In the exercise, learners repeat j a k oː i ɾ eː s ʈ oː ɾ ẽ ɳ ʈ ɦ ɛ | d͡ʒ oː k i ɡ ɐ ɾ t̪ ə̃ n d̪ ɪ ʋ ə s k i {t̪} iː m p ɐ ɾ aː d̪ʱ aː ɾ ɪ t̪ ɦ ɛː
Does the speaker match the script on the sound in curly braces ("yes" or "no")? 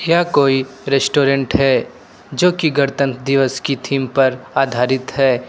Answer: no